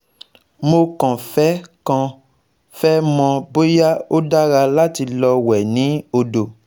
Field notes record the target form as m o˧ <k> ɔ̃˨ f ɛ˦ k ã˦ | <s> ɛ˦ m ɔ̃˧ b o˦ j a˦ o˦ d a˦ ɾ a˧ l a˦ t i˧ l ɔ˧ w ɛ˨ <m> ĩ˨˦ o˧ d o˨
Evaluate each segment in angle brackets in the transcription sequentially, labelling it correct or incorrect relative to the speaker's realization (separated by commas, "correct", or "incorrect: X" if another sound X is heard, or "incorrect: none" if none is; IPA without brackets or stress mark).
correct, incorrect: f, incorrect: n